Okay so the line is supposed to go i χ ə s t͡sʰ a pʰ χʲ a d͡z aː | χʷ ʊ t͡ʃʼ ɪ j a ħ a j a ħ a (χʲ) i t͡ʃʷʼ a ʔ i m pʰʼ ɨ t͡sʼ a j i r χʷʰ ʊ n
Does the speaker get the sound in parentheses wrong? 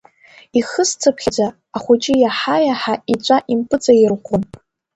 yes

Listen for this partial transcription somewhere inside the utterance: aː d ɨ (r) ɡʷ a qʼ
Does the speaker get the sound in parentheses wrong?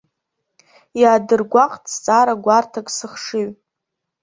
no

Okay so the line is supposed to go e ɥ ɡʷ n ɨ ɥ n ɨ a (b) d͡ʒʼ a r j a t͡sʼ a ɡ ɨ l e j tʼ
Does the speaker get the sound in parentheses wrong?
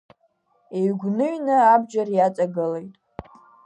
no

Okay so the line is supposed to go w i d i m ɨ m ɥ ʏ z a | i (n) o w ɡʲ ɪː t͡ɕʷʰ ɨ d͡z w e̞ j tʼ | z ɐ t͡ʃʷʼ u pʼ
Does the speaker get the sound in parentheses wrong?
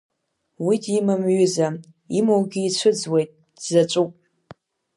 yes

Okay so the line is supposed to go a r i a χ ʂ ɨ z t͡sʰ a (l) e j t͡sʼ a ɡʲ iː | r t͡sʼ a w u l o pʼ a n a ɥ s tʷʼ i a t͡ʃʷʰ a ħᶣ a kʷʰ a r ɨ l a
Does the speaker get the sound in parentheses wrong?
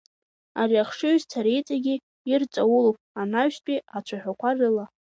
yes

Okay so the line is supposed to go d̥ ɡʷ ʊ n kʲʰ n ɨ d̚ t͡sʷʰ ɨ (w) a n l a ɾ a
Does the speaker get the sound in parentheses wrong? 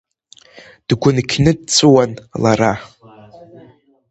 no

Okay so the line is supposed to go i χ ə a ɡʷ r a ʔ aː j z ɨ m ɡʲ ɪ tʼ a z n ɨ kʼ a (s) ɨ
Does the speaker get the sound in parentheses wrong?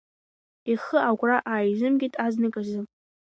yes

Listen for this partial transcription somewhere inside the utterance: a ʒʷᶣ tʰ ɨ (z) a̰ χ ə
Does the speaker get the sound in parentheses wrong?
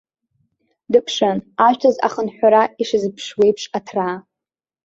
no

